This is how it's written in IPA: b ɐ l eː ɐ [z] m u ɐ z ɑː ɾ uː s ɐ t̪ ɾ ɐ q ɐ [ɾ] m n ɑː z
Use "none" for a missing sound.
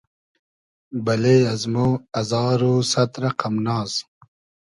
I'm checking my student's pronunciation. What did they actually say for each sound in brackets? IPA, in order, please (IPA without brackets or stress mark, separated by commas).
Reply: z, none